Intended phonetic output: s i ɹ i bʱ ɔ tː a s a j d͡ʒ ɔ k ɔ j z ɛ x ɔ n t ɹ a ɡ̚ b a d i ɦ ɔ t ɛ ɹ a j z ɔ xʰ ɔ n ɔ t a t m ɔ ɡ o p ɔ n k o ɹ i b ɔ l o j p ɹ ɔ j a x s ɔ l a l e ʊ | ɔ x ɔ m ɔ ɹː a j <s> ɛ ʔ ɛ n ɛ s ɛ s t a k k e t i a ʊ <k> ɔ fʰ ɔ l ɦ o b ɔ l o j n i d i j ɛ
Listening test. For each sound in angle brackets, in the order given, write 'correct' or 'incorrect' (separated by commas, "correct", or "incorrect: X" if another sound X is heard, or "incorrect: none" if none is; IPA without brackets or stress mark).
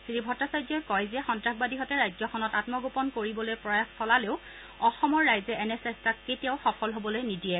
incorrect: z, incorrect: x